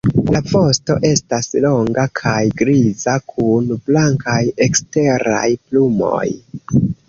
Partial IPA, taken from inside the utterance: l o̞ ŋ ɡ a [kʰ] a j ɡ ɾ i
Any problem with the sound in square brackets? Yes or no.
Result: no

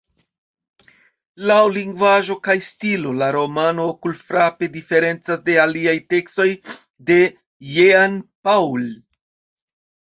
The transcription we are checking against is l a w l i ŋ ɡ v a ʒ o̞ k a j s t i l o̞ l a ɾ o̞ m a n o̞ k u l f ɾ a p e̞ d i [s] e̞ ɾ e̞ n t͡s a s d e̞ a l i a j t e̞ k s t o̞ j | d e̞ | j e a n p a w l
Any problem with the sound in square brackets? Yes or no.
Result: yes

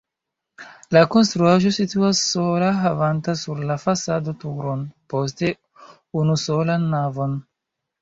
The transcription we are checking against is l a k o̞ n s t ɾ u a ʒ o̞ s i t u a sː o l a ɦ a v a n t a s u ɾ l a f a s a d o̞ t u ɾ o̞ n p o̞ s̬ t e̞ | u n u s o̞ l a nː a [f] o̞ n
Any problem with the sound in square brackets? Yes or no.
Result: yes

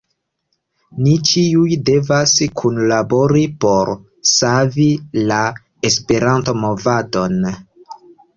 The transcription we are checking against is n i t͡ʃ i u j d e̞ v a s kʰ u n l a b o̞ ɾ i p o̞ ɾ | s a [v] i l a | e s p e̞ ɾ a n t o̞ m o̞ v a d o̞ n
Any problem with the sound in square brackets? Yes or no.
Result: no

